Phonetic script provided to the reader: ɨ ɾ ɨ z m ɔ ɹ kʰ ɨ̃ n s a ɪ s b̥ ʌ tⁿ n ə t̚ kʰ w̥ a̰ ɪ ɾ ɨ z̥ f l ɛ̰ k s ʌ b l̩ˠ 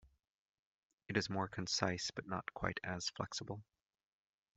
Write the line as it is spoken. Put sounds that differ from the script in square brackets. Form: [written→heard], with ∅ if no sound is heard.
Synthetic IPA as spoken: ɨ ɾ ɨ z m ɔ ɹ kʰ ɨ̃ n s a ɪ s b̥ ʌ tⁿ n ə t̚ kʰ w̥ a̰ ɪ ɾ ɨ z̥ f l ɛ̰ k s [ʌ→ə] b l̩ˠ

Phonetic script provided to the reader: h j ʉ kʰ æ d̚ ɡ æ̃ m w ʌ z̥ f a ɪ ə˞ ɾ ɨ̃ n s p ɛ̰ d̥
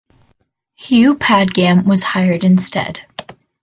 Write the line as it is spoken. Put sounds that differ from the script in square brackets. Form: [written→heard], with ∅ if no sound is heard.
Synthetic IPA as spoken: h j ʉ [kʰ→pʰ] æ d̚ ɡ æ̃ m w ʌ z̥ [f→h] a ɪ ə˞ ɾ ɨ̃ n s [p→t] ɛ̰ d̥

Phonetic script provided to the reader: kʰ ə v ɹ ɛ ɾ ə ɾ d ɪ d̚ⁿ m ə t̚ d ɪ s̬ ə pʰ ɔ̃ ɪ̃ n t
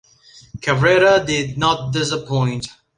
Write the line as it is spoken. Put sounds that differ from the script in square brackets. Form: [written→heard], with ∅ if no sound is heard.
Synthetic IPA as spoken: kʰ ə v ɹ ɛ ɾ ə [ɾ→∅] d ɪ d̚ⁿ [m→n] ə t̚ d ɪ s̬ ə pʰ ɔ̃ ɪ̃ n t

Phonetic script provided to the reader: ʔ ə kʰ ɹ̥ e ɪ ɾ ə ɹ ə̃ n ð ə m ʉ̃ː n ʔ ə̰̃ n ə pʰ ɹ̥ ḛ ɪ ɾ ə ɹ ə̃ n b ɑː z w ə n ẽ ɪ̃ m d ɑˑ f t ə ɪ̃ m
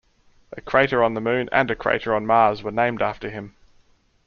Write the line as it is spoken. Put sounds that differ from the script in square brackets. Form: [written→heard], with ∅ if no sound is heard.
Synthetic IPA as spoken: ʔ ə kʰ ɹ̥ e ɪ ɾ ə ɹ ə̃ n ð ə m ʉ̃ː n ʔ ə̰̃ n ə [pʰ→kʰ] ɹ̥ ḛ ɪ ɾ ə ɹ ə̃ n [b→m] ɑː z w ə n ẽ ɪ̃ m d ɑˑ f t ə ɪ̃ m

